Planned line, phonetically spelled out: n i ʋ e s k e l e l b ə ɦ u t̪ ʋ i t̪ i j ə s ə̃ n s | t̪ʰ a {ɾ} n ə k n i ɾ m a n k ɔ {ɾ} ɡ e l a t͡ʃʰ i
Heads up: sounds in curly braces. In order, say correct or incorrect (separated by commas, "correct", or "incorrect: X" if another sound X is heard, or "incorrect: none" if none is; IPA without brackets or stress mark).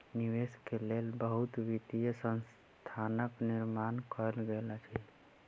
incorrect: none, incorrect: l